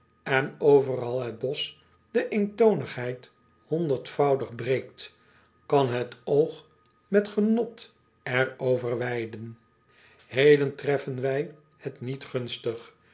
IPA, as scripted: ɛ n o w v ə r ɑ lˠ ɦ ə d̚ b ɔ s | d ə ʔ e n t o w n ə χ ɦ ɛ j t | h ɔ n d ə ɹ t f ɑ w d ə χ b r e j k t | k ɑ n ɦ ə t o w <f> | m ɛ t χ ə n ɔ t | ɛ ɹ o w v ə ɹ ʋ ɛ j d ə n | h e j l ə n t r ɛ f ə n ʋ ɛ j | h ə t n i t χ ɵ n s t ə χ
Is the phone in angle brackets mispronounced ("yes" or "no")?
yes